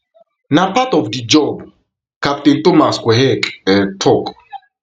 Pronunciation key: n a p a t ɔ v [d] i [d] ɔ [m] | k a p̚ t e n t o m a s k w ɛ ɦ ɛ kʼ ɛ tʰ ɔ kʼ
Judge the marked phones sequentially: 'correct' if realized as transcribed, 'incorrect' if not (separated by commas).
correct, incorrect, incorrect